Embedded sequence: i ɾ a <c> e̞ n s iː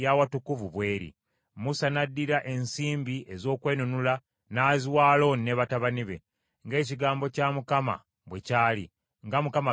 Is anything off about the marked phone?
yes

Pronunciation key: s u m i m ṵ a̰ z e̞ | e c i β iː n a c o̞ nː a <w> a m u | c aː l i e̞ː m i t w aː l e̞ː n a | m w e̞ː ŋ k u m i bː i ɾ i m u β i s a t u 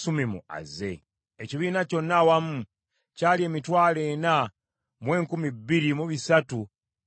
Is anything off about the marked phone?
no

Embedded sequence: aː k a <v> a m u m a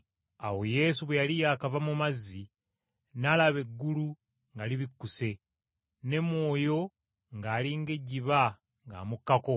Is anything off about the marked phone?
no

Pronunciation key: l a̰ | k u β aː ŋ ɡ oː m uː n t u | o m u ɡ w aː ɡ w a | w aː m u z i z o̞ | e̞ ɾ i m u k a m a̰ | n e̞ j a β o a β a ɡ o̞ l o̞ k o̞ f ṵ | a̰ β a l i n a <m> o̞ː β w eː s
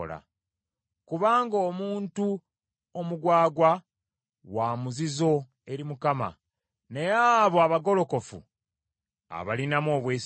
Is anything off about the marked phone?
no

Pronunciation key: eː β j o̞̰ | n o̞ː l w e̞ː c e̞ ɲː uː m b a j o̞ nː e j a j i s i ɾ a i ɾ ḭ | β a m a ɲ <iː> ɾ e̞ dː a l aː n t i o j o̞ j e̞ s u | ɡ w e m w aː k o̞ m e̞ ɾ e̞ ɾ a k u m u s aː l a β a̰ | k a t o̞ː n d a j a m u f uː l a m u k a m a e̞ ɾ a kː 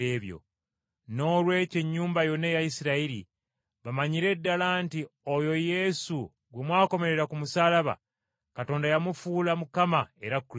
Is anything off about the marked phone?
yes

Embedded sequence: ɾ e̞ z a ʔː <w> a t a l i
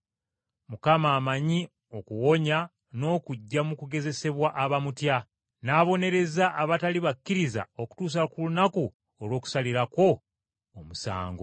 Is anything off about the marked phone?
yes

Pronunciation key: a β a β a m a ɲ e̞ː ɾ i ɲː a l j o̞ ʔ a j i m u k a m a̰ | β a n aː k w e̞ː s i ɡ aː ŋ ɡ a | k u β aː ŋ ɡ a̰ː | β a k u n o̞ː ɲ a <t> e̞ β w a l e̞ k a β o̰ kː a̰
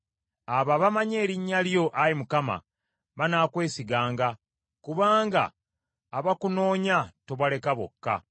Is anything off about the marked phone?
no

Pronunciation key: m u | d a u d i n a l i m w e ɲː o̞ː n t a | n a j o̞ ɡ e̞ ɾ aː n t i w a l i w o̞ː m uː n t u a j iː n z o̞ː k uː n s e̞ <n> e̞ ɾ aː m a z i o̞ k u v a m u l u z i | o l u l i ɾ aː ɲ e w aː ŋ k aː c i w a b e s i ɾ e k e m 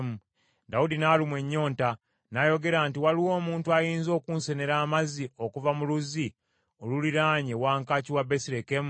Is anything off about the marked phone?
no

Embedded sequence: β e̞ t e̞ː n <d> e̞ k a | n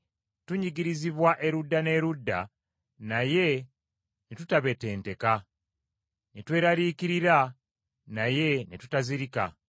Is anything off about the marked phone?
yes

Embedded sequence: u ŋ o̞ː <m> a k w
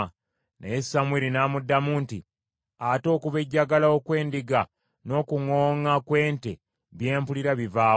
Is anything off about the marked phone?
yes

